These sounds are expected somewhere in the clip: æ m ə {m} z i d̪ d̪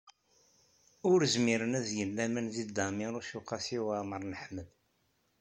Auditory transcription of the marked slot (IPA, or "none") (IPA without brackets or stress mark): n